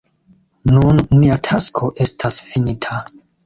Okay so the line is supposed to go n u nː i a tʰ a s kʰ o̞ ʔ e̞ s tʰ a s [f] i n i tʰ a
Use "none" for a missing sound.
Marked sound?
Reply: f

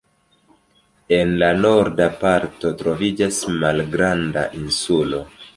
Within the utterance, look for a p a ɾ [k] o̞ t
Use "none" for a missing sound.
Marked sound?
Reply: t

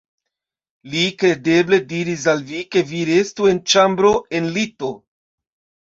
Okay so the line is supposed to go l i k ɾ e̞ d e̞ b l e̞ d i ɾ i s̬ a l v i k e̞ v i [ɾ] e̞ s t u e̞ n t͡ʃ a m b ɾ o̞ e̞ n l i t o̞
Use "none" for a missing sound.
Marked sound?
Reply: ɾ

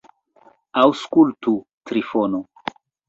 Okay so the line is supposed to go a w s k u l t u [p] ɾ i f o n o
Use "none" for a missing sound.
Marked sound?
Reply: t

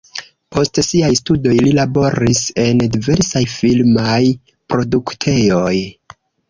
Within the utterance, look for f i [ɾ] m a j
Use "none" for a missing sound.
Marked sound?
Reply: l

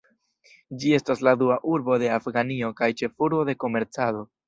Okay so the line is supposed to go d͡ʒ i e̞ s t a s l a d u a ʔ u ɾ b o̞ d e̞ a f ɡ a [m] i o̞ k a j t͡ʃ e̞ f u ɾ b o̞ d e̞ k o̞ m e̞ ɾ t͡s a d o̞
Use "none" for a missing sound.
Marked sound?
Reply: n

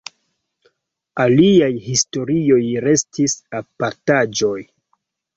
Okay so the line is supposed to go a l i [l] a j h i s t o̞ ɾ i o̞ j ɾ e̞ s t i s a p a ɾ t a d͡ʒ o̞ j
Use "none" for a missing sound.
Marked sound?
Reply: none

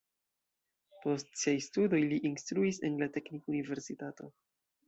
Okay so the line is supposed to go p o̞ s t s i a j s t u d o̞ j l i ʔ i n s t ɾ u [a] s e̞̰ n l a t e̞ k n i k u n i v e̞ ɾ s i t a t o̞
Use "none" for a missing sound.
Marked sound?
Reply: i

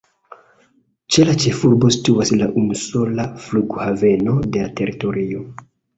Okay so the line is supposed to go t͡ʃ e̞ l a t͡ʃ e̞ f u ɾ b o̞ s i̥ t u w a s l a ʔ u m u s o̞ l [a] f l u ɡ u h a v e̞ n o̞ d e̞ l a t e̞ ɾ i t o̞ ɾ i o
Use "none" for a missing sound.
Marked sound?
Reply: a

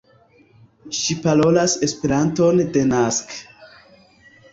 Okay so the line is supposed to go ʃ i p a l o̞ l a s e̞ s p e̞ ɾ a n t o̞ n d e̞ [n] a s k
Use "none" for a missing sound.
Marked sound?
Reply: n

